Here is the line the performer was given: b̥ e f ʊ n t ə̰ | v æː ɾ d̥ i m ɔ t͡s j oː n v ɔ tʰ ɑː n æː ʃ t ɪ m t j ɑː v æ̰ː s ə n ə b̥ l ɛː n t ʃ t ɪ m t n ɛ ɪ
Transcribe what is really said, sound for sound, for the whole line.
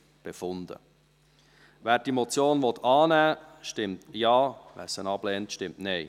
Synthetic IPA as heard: b̥ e f ʊ n d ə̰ | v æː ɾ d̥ i m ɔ t͡s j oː n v ɔ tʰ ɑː n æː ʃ t ɪ m t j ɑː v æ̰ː s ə n ɑ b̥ l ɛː n t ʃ t ɪ m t n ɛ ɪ